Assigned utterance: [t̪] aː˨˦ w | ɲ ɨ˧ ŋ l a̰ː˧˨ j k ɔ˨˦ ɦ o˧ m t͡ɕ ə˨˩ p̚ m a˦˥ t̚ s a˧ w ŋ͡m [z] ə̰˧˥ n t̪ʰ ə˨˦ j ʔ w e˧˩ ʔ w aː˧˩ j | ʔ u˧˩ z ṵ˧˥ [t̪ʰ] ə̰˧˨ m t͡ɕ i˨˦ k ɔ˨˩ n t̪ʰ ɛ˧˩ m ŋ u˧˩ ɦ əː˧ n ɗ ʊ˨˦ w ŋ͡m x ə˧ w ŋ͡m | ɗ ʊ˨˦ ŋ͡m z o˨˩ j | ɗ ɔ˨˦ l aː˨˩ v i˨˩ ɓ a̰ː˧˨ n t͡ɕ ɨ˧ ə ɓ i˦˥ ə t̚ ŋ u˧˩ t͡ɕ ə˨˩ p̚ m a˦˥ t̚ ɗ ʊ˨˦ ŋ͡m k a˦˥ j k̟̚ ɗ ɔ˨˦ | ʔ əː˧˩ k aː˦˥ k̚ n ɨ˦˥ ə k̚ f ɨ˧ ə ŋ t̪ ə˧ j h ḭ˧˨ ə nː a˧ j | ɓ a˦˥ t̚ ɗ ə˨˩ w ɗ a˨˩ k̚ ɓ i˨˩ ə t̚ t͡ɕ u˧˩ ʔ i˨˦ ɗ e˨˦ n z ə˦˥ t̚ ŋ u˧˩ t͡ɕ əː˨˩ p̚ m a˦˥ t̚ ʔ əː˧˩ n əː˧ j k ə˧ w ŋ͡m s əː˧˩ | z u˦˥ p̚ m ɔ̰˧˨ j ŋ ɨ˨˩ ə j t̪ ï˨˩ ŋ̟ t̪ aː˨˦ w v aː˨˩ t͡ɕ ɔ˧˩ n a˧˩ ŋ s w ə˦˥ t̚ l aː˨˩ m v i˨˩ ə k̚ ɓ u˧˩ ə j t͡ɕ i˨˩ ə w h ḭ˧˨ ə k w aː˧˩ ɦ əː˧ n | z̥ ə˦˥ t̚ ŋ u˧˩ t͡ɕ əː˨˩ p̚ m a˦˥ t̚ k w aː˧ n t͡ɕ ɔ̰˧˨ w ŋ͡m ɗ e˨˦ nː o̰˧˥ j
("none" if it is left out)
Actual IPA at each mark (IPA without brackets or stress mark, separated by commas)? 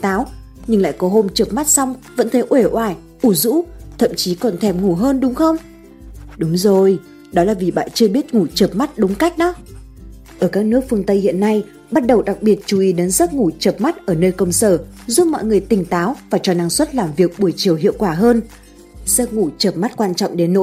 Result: t̪, v, t̪ʰ